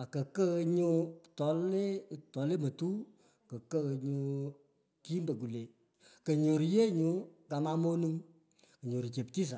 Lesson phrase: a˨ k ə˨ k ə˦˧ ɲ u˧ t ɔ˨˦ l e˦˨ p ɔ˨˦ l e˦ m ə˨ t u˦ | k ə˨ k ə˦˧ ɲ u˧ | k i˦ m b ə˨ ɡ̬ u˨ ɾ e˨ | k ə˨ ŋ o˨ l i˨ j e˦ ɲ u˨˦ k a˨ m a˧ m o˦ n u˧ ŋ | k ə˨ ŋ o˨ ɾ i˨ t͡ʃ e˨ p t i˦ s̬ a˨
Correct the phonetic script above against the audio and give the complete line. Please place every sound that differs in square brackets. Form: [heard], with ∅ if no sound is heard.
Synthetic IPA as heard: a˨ k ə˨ k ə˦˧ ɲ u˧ t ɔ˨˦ l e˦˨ [t] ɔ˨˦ l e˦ m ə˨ t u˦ | k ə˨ k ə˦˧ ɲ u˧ | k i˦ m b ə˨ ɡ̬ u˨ [l] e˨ | k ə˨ [ɲ] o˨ [ɾ] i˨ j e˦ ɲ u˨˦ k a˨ m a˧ m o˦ n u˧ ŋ | k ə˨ [ɲ] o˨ ɾ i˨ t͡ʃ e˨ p t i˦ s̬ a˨

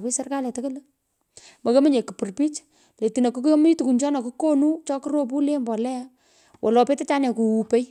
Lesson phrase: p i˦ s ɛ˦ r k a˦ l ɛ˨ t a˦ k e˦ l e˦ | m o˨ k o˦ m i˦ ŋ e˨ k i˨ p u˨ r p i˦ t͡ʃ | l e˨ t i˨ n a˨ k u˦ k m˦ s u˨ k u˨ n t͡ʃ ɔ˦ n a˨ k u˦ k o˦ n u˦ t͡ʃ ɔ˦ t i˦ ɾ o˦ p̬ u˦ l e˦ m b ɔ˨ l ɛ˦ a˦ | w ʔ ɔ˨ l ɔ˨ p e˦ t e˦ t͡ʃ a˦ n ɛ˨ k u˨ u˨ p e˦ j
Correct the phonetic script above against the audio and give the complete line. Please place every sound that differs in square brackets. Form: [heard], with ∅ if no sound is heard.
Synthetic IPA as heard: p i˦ s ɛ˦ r k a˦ l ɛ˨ t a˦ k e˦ l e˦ | m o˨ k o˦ m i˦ [ɲ] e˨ k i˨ p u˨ r p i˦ t͡ʃ | l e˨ t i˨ n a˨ k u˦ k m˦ [t] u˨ k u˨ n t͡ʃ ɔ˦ n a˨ k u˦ k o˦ n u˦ t͡ʃ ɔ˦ [k] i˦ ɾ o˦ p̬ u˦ l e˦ m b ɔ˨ l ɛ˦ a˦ | w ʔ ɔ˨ l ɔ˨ p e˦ t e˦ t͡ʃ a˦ n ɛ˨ k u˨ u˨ p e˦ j

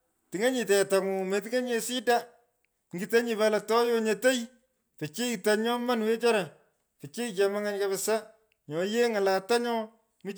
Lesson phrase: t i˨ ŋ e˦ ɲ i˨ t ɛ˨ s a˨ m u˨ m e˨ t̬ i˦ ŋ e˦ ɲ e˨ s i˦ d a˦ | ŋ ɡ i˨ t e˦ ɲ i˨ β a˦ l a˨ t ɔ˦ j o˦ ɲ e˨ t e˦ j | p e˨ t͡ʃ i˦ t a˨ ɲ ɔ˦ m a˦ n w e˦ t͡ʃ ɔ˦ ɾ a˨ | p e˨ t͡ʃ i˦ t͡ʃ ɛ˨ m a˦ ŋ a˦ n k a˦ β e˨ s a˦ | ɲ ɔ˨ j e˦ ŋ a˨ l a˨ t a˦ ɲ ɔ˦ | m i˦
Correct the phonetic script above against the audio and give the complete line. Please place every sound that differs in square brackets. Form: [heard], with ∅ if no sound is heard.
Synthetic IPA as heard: t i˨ ŋ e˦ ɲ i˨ t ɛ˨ [t] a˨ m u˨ m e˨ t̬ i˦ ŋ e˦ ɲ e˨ s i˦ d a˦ | ŋ ɡ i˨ t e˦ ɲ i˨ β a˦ l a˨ t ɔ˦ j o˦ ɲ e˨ t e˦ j | p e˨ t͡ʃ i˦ t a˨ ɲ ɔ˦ m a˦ n w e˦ t͡ʃ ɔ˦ ɾ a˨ | p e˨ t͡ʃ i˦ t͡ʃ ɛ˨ m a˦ ŋ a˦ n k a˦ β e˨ s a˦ | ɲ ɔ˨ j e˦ ŋ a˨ l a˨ t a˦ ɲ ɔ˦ | m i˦

